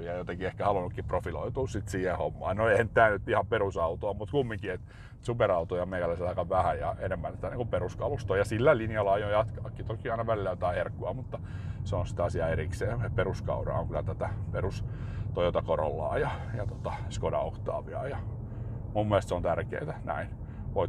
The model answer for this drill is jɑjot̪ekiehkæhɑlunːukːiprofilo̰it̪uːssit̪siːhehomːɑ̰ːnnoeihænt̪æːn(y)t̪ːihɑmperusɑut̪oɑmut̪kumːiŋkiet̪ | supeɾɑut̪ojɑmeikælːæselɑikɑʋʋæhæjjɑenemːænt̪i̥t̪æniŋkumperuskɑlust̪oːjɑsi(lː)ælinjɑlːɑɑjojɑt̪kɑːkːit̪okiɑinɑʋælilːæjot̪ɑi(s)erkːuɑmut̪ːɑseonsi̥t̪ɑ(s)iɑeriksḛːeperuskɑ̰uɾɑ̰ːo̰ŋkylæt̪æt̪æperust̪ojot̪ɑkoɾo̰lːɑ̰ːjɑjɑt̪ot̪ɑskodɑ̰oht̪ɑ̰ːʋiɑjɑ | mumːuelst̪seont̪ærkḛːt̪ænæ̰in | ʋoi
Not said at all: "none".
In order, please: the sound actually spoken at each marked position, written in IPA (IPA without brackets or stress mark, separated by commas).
y, lː, h, s